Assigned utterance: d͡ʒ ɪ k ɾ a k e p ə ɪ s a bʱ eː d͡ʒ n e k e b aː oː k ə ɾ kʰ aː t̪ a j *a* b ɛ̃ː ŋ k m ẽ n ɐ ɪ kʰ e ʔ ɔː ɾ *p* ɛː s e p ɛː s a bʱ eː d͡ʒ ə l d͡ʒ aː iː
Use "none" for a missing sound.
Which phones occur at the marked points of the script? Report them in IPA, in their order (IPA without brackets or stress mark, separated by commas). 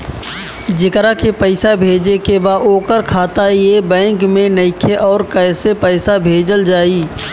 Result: e, k